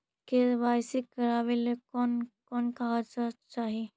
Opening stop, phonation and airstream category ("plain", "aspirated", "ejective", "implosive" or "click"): plain